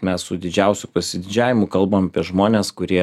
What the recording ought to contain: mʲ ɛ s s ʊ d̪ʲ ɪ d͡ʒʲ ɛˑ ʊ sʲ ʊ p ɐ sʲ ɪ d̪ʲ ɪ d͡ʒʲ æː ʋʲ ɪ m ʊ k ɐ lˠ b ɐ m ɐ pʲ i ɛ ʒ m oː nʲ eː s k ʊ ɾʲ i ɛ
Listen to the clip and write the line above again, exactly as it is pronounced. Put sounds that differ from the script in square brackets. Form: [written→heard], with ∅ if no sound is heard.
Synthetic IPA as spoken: mʲ ɛ s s ʊ d̪ʲ ɪ d͡ʒʲ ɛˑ ʊ sʲ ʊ p ɐ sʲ ɪ d̪ʲ ɪ d͡ʒʲ æː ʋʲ ɪ m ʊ k ɐ lˠ b ɐ m ɐ pʲ i ɛ ʒ m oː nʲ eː s k ʊ ɾʲ i ɛ